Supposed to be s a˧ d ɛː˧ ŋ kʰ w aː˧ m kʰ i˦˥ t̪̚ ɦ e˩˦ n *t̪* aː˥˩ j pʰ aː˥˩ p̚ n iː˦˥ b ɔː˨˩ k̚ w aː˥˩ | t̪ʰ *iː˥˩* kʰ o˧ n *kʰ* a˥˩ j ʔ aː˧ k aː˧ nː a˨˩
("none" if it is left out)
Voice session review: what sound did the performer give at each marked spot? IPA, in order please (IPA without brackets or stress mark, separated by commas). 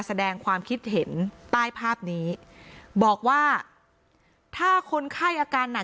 t̪, aː˥˩, kʰ